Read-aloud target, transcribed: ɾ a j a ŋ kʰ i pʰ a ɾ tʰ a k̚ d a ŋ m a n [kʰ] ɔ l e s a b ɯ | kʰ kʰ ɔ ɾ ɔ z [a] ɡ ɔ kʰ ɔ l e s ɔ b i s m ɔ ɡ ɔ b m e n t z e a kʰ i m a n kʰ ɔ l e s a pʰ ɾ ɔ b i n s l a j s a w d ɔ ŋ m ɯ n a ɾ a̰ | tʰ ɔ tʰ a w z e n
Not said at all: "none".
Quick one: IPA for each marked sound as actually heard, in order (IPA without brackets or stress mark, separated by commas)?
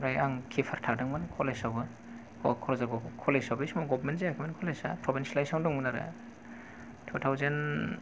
kʰ, a